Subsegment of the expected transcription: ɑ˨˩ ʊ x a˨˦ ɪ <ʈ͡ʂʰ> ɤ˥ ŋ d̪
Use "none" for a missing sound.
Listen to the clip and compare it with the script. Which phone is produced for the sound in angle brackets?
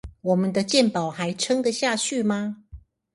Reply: ʈ͡ʂʰ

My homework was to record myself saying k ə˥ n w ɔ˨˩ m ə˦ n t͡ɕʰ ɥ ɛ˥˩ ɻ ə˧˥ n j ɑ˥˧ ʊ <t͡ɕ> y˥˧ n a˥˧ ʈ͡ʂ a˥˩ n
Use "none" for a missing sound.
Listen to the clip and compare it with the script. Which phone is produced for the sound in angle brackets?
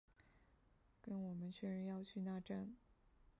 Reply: t͡ɕʰ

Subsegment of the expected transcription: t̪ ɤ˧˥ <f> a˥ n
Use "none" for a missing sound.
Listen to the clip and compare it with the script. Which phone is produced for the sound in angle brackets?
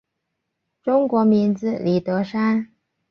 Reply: ʂ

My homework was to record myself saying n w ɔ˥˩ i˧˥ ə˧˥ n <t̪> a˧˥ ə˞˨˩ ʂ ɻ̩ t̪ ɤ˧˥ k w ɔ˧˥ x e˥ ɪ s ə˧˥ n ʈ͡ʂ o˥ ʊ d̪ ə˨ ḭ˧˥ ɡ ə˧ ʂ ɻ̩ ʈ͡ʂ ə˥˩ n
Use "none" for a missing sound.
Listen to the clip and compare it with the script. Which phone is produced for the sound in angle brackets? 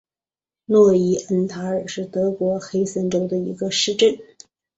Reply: t̪ʰ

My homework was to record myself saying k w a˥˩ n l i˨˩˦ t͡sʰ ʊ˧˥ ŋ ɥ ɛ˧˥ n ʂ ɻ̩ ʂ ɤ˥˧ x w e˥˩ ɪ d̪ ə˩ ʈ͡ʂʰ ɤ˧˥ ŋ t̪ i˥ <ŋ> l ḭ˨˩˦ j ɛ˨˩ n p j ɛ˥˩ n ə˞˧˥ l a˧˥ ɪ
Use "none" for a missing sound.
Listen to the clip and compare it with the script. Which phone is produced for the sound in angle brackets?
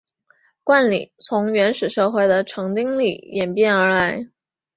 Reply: ŋ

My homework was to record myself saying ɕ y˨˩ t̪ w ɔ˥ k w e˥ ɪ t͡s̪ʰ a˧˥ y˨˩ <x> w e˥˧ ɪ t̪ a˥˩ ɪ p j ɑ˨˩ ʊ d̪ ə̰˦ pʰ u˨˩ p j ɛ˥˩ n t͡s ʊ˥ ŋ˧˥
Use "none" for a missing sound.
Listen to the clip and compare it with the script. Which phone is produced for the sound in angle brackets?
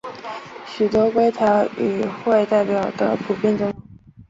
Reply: x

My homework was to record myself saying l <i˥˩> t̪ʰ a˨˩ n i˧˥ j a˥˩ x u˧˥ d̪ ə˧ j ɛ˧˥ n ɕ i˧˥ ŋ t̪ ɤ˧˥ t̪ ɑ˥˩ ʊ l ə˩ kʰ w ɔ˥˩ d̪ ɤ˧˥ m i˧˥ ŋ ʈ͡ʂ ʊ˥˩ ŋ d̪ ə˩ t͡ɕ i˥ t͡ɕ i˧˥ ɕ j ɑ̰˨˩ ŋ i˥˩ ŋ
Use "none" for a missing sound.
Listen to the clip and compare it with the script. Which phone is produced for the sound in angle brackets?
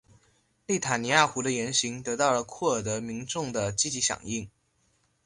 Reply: i˥˩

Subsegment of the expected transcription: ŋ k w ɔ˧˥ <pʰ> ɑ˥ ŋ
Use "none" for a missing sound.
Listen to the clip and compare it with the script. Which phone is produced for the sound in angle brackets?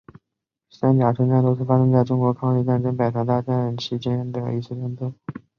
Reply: kʰ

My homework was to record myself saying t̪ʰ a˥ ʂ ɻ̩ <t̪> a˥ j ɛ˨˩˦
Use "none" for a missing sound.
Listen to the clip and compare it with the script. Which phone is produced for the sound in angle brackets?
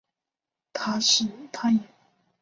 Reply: t̪ʰ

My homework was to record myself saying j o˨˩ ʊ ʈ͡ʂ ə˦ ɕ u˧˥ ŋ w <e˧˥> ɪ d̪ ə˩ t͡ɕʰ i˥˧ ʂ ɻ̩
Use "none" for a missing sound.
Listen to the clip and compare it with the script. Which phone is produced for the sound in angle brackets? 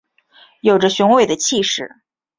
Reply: e˥˩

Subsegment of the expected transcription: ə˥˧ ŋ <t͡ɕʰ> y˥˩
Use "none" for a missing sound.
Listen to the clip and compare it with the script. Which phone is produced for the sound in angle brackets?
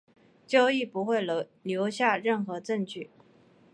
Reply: t͡ɕ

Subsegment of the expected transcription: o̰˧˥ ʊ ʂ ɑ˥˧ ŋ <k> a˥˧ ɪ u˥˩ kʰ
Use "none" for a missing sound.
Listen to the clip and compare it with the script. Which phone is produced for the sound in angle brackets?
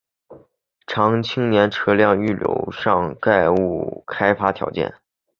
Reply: k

